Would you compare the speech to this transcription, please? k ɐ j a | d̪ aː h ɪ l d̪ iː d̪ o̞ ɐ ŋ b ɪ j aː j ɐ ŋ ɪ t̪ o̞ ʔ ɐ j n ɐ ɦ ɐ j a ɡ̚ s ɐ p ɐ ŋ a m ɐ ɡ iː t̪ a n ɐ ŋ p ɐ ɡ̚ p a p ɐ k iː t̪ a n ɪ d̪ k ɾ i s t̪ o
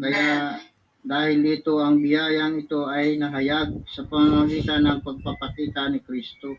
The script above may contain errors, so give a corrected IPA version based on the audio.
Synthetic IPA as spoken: k ɐ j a | d̪ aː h ɪ l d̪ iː t̪ o̞ ɐ ŋ b ɪ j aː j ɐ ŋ ɪ t̪ o̞ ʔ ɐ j n ɐ ɦ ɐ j a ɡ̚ s ɐ p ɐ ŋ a m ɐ ɡ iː t̪ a n ɐ ŋ p ɐ ɡ̚ p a p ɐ k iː t̪ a n ɪ k ɾ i s t̪ o